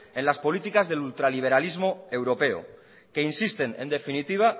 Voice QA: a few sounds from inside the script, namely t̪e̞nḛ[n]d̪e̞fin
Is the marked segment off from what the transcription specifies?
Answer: no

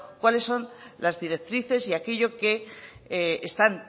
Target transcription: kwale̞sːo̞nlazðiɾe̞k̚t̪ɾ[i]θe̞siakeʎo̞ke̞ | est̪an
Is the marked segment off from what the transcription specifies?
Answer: no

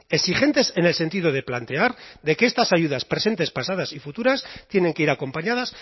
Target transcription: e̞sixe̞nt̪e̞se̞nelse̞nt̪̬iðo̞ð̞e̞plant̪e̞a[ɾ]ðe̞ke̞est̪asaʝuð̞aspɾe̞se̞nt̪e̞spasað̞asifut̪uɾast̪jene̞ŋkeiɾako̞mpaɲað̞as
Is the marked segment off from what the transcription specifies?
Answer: no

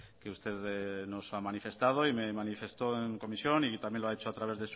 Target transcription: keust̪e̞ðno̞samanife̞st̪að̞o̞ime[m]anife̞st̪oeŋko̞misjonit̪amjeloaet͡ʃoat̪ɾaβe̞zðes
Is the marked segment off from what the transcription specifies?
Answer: no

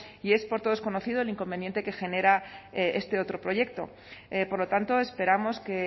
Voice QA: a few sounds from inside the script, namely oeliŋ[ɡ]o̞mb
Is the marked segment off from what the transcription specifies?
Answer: yes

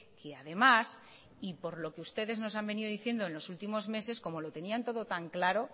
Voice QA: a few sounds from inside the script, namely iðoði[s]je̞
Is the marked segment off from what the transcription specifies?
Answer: yes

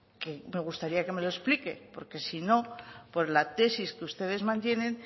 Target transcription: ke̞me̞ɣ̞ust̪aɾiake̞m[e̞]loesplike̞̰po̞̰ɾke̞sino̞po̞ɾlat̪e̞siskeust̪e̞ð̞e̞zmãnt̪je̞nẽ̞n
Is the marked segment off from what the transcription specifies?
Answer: no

